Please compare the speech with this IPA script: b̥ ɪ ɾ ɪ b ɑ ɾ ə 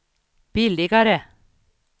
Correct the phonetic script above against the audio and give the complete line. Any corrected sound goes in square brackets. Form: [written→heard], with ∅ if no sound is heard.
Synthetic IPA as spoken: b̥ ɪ [ɾ→l] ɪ [b→ɡ] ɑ ɾ ə